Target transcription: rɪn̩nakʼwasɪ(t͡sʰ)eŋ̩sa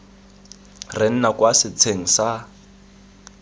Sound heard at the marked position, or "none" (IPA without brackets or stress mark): t͡sʰ